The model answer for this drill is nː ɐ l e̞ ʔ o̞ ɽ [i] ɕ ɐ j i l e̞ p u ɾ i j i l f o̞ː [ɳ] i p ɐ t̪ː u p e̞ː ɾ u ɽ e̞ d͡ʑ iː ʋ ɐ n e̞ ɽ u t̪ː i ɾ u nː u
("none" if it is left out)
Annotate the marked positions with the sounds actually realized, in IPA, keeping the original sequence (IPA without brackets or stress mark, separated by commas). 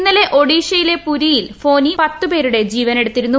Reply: iː, n